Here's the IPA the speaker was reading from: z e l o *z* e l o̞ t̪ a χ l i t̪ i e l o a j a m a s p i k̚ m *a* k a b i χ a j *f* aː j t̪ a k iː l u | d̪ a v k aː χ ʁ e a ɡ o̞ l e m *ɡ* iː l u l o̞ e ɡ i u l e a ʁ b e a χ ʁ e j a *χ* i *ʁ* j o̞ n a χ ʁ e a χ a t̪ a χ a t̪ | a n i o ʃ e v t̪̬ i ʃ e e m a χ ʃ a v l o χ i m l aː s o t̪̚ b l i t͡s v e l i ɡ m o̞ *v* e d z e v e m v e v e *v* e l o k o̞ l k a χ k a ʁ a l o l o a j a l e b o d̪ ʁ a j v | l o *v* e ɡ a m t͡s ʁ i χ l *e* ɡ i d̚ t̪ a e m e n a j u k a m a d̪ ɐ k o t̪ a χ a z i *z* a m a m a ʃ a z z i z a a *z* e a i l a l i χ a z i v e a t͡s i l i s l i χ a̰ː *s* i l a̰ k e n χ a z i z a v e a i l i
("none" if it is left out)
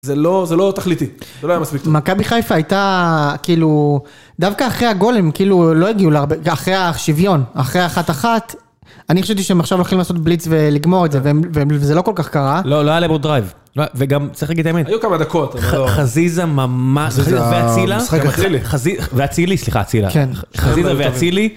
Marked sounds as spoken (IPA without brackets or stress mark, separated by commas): z, a, f, k, ʃ, v, ʁ, z, v, a, z, v, t͡s